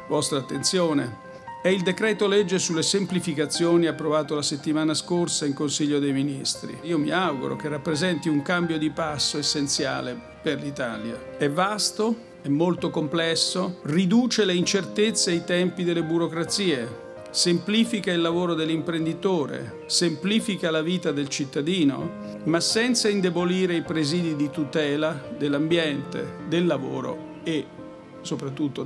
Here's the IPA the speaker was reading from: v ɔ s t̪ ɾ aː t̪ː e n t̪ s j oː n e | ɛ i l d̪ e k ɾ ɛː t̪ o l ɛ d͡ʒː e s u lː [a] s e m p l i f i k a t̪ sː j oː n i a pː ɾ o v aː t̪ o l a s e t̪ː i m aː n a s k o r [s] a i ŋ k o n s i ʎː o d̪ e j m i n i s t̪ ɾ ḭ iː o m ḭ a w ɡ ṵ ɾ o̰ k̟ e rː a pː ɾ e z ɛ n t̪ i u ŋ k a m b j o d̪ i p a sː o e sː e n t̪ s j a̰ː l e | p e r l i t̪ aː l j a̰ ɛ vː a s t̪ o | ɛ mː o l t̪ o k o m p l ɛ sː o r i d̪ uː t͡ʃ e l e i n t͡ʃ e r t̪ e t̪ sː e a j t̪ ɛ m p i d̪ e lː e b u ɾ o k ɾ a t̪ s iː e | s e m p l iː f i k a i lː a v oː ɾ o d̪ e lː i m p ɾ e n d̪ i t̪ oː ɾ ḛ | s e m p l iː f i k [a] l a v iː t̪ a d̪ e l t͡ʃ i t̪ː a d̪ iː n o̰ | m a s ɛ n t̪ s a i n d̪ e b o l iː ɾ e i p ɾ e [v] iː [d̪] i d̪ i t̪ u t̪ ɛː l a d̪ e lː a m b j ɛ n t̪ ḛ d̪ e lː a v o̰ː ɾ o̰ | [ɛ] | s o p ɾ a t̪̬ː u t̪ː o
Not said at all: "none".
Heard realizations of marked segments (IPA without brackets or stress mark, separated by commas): e, s, a, z, d̪, e